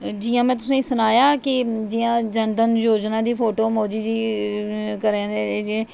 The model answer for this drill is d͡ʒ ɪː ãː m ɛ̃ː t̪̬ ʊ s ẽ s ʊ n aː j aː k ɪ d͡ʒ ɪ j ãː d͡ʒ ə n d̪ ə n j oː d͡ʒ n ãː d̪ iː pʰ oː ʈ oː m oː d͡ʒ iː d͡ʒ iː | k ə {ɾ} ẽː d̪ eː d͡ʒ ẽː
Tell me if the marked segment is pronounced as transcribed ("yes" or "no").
yes